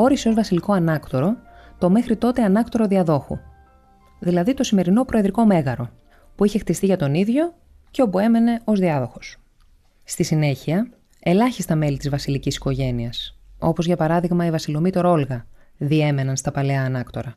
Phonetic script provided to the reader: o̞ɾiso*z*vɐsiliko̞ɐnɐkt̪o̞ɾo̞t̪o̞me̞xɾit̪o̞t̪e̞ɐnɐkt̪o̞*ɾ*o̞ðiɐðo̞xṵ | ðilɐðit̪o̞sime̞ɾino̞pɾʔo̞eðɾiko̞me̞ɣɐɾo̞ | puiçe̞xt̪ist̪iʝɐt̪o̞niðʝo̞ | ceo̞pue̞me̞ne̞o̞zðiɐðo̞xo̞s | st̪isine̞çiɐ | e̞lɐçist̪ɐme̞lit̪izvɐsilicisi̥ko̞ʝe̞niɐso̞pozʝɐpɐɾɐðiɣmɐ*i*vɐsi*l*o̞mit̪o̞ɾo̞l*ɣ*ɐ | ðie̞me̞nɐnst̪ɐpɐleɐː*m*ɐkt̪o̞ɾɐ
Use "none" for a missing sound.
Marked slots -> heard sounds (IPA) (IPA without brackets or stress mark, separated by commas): z, ɾ, i, l, ɣ, n